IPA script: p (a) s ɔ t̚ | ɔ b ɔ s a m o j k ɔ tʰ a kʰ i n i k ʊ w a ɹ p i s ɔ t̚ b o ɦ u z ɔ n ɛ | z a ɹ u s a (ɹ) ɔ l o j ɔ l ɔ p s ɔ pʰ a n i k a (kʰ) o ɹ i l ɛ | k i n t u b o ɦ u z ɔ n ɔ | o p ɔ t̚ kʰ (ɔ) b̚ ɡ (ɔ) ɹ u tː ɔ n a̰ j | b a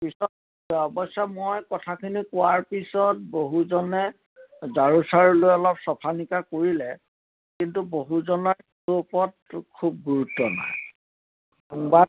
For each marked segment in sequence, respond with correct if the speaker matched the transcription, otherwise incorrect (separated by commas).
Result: incorrect, correct, incorrect, incorrect, incorrect